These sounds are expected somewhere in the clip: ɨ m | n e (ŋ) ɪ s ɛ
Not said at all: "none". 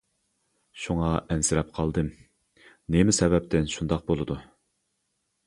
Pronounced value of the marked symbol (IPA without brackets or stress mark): m